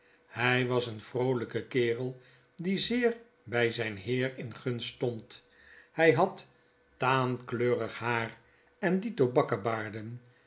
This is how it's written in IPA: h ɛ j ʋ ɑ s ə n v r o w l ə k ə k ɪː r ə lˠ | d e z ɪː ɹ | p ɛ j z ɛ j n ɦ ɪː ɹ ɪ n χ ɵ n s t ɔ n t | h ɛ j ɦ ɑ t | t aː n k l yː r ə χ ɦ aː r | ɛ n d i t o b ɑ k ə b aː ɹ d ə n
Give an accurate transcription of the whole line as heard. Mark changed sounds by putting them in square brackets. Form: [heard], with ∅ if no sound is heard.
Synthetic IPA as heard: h ɛ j ʋ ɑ s ə n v r o w l ə k ə k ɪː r ə lˠ | d [i] z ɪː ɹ | [b] ɛ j z ɛ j n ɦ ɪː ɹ ɪ n χ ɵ n s t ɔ n t | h ɛ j ɦ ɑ t | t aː n k l [øː] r ə χ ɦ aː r | ɛ n d i t o b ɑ k ə b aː ɹ d ə n

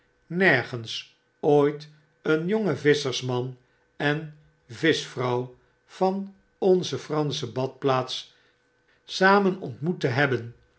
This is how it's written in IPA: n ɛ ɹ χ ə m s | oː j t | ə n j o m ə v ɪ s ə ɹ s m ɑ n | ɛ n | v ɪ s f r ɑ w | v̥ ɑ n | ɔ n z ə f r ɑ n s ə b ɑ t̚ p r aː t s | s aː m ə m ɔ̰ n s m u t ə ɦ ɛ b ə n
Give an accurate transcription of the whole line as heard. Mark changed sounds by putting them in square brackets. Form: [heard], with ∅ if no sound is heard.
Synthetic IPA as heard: n ɛ ɹ χ ə [n] s | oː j t | ə n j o [ŋ] ə v ɪ s ə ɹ s m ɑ n | ɛ n | v ɪ s f r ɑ w | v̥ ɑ n | ɔ n z ə f r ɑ n s ə b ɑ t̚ p [l] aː t s | s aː m ə [n] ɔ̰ n [t] m u t ə ɦ ɛ b ə n

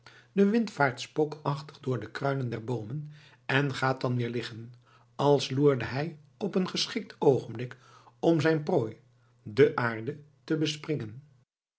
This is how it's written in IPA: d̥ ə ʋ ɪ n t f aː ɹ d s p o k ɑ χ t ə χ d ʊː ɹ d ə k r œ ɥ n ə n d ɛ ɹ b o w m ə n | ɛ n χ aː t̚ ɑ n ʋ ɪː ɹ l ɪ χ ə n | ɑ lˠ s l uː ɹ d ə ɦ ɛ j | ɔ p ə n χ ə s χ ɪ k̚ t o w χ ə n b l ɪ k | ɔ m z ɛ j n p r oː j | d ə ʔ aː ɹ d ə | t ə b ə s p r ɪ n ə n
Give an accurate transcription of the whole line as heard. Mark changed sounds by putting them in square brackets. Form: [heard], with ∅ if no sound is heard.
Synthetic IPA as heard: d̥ ə ʋ ɪ n t f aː ɹ [t] s p o k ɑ χ t ə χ d ʊː ɹ d ə k r œ ɥ n ə n d ɛ ɹ b o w m ə n | ɛ n χ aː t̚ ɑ n ʋ ɪː ɹ l ɪ χ ə n | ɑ lˠ s l uː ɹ d ə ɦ ɛ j | ɔ p ə n χ ə s χ ɪ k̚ t o w χ ə n b l ɪ k | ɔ m z ɛ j n p r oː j | d ə ʔ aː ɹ d ə | t ə b ə s p r ɪ [ŋ] ə n

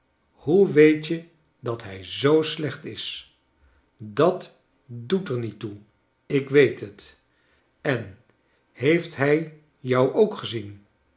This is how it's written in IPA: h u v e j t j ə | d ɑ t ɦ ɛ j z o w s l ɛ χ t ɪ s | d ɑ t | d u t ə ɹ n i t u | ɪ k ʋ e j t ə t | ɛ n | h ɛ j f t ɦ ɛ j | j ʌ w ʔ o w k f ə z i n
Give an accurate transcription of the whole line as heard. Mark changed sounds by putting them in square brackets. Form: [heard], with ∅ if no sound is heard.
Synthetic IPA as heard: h u [ʋ] e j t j ə | d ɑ t ɦ ɛ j z o w s l ɛ χ t ɪ s | d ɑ t | d u t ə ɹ n i t u | ɪ k ʋ e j t ə t | ɛ n | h [e] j f t ɦ ɛ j | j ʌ w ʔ o w k [χ] ə z i n

